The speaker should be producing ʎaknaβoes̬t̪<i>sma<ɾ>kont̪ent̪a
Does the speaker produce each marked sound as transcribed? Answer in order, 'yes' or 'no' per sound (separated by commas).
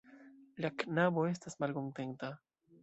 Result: no, no